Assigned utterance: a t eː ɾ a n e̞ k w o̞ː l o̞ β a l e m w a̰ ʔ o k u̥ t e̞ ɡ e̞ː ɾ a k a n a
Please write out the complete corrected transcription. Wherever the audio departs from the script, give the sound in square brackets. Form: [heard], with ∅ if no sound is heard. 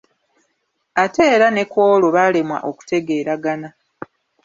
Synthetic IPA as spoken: a t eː ɾ a n e̞ k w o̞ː l o̞ β a l e m w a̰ ʔ o k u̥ t e̞ ɡ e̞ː ɾ a [ɡ] a n a